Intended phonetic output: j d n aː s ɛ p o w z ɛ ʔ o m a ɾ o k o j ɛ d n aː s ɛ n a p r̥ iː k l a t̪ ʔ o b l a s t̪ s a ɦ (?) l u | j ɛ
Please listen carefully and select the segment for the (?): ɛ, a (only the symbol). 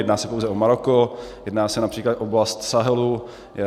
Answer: ɛ